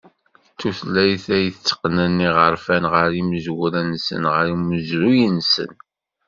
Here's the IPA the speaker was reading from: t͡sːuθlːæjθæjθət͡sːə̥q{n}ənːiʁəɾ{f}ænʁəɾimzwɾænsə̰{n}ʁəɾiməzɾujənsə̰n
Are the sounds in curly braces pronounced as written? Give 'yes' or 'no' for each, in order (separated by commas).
yes, yes, yes